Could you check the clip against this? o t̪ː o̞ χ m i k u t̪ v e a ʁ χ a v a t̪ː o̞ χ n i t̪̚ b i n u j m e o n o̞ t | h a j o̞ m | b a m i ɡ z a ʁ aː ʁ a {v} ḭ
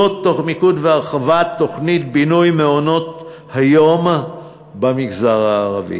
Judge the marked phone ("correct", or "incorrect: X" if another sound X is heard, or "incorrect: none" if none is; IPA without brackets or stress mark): correct